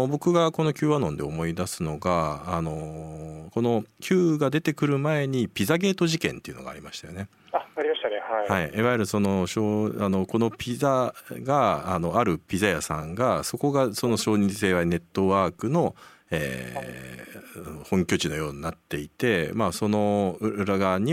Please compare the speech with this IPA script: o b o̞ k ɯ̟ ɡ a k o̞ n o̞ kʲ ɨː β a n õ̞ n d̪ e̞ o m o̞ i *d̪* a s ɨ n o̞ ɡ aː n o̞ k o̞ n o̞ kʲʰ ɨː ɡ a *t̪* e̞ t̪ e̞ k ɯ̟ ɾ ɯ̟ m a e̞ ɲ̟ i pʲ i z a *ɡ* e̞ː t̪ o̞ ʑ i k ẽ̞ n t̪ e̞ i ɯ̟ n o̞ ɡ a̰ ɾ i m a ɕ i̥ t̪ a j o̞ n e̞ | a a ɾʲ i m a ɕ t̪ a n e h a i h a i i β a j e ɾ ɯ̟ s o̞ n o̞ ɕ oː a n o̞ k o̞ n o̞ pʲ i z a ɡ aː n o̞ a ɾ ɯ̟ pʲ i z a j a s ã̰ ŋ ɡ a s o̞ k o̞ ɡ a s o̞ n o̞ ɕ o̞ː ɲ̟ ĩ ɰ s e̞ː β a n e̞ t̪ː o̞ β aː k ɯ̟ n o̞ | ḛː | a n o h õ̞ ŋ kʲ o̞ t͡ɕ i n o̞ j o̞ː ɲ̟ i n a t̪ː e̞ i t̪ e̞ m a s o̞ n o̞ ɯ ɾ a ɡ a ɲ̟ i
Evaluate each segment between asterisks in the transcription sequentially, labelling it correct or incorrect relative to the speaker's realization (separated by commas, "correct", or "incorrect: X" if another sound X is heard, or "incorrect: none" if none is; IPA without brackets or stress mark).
correct, incorrect: d̪, correct